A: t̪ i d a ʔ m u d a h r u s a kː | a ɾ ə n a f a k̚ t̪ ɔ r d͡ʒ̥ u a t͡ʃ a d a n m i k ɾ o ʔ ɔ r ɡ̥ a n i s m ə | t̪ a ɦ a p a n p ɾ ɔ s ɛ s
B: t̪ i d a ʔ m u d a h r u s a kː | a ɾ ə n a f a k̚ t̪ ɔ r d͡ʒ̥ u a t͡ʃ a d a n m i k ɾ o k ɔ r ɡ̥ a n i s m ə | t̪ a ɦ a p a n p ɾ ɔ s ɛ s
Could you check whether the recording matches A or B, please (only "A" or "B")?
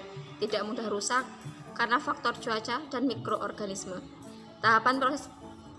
A